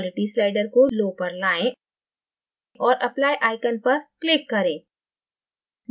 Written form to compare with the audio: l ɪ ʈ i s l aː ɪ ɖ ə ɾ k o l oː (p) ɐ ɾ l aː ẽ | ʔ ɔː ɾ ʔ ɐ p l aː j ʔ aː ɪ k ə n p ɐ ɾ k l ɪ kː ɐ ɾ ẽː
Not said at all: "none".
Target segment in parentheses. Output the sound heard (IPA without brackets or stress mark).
p